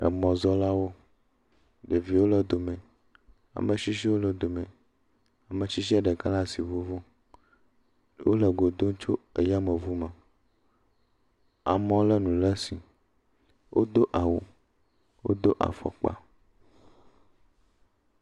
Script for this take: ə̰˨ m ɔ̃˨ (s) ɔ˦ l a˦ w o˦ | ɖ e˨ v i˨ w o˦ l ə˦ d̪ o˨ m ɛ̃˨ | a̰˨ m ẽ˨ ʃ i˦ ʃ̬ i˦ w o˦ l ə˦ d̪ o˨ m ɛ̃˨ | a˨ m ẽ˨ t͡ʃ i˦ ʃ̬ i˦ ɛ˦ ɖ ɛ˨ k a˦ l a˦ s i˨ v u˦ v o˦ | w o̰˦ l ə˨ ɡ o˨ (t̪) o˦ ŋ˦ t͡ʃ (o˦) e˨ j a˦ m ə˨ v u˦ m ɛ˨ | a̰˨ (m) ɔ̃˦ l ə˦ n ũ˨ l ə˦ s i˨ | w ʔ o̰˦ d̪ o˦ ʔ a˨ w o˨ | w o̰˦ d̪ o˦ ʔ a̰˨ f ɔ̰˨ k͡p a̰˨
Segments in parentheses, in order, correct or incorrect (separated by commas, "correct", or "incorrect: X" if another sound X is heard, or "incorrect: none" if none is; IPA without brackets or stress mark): incorrect: z, incorrect: d̪, correct, correct